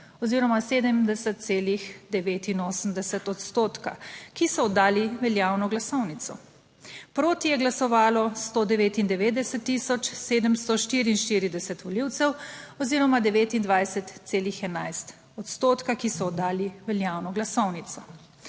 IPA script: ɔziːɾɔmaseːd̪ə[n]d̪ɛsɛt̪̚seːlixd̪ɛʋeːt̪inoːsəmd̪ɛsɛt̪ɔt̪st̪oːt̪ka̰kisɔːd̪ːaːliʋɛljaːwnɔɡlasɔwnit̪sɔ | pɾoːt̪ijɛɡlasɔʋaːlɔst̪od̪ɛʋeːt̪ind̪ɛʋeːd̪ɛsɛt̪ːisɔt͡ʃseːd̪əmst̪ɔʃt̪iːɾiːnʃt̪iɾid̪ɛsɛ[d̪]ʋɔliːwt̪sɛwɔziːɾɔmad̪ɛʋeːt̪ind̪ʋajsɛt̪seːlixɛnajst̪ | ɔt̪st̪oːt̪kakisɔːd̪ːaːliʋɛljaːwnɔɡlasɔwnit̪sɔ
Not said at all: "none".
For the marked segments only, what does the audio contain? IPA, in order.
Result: m, t̪

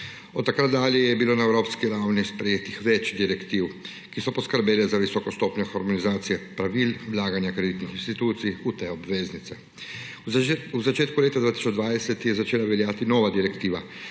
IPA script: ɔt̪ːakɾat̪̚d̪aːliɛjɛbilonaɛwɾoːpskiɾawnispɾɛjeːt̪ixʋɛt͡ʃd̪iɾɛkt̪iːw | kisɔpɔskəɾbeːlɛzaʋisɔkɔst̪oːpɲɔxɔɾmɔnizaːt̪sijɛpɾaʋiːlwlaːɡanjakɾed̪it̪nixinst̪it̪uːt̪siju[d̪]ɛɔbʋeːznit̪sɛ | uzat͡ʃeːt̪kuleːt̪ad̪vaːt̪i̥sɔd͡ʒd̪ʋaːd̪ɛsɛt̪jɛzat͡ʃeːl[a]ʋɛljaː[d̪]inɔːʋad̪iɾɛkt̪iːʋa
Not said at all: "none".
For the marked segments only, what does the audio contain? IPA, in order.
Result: t̪, a, t̪

